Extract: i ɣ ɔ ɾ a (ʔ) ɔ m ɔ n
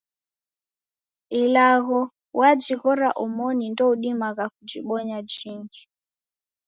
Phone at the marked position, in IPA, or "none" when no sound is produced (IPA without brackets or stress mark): ʔ